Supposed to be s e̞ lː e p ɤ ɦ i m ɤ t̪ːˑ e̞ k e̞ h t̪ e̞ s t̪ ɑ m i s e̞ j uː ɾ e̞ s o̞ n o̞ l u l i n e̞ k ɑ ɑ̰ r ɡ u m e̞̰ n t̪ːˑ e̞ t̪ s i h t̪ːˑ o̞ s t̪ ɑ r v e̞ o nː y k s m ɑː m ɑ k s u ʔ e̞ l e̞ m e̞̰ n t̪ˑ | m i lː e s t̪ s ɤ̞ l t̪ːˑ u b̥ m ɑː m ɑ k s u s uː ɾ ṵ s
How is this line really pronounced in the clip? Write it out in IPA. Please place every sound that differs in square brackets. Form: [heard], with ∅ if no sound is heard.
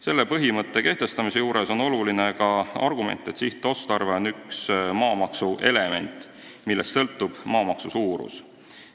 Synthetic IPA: s e̞ lː e p ɤ ɦ i m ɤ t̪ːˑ e̞ k e̞ h t̪ e̞ s t̪ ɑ m i s e̞ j uː ɾ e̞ s o̞ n o̞ l u l i n e̞ k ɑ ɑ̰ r ɡ u m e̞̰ n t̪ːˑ e̞ t̪ s i h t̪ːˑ o̞ s t̪ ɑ r v e̞ o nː y k s m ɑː m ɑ k s u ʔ e̞ l e̞ m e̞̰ n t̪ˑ | m i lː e s t̪ s ɤ̞ l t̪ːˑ u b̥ m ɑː m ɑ k s u s uː ɾ ṵ s